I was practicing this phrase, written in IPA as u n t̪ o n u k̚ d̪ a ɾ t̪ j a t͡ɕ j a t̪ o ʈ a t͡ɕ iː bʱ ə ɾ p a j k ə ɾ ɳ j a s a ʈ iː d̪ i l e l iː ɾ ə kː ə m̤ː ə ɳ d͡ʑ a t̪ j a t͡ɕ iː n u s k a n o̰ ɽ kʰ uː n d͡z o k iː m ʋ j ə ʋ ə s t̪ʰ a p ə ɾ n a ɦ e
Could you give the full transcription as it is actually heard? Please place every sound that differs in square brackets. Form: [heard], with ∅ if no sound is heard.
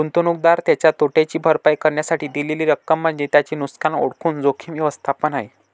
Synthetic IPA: u n t̪ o n u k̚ d̪ a ɾ t̪ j a t͡ɕ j a t̪ o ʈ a t͡ɕ iː bʱ ə ɾ p a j k ə ɾ ɳ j a s a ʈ iː d̪ i l e l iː ɾ ə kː ə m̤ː ə ɳ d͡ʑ [e] t̪ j a t͡ɕ iː n u s k a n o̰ ɽ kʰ uː n d͡z o [kʰ] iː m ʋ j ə ʋ ə s t̪ʰ a p ə [∅] n a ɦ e